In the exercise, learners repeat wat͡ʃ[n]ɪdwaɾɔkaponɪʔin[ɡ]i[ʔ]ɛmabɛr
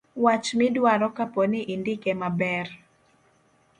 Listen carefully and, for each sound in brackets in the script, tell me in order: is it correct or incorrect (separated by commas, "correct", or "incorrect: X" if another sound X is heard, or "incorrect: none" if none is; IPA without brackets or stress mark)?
incorrect: m, incorrect: d, incorrect: k